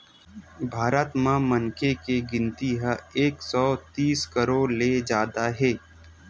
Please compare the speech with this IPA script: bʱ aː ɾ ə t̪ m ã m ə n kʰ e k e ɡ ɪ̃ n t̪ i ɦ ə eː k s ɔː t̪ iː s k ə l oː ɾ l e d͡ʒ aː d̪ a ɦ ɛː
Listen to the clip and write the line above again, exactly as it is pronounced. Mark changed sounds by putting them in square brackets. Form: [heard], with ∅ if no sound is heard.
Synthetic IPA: bʱ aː ɾ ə t̪ m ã m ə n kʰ e k e ɡ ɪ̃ n t̪ i ɦ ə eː k s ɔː t̪ iː s k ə [ɾ] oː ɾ l e d͡ʒ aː d̪ a ɦ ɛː